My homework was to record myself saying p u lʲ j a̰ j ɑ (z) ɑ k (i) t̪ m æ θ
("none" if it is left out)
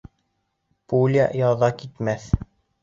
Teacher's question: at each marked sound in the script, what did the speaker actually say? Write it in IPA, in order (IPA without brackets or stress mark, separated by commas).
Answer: ð, i